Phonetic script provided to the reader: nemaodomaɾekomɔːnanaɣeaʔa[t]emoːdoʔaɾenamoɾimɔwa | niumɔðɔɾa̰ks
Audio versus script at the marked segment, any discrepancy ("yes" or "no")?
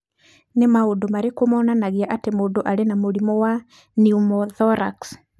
no